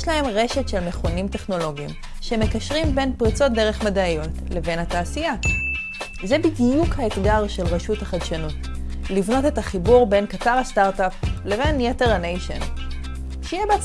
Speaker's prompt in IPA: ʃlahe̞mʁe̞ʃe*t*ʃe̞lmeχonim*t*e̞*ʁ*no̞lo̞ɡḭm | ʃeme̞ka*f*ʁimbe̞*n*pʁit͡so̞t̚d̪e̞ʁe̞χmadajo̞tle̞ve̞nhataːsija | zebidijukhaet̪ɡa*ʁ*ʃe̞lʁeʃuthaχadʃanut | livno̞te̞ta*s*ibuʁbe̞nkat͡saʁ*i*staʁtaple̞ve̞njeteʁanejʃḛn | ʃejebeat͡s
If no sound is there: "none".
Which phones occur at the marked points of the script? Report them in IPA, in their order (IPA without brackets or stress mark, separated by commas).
t, t, χ, ʃ, n, ʁ, χ, a